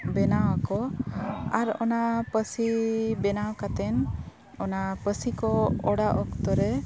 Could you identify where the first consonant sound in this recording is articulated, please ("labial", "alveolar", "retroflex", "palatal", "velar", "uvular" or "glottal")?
labial